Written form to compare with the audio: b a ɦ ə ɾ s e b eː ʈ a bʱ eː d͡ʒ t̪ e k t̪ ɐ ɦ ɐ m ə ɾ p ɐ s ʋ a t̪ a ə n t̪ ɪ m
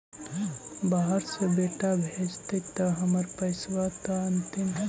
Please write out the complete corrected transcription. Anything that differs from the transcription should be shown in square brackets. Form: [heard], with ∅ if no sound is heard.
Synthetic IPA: b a ɦ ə ɾ s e b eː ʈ a bʱ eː d͡ʒ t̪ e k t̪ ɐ ɦ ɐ m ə ɾ p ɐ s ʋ a t̪ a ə n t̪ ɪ m